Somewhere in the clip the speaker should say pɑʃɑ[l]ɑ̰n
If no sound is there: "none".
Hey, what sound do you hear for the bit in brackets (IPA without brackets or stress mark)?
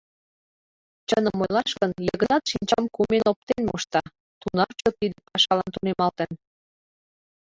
l